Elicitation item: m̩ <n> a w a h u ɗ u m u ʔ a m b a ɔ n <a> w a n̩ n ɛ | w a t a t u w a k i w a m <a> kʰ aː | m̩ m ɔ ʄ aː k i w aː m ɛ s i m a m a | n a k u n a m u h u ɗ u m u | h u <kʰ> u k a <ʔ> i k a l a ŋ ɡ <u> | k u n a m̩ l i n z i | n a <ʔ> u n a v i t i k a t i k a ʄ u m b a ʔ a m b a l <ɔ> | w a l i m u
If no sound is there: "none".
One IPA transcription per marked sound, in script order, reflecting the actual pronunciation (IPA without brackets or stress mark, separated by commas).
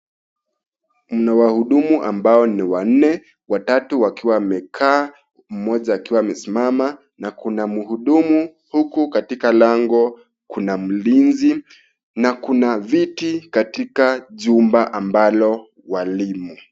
n, i, ɛ, k, t, ɔ, k, ɔ